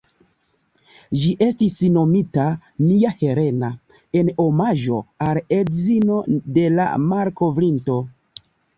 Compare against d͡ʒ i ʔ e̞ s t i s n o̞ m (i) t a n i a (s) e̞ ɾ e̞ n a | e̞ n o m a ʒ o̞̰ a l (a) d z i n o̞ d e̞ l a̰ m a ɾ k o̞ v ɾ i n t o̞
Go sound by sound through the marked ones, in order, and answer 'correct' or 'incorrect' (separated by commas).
correct, incorrect, incorrect